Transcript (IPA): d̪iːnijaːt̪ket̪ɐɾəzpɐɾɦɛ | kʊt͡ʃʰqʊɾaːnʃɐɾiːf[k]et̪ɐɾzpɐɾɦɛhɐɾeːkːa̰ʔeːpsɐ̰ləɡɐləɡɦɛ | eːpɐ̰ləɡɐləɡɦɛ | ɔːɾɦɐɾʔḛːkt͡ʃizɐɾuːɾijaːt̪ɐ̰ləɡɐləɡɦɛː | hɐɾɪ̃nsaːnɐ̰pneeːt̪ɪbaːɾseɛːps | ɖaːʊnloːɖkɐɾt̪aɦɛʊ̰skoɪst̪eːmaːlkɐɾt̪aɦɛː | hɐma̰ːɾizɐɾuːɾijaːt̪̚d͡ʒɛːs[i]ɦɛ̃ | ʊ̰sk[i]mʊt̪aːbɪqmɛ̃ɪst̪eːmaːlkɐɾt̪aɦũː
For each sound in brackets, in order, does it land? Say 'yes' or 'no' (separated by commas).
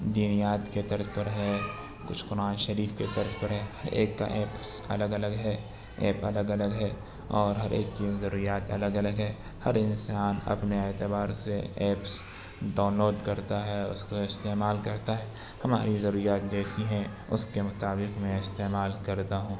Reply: yes, yes, no